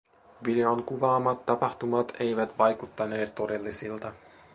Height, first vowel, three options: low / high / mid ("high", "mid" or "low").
high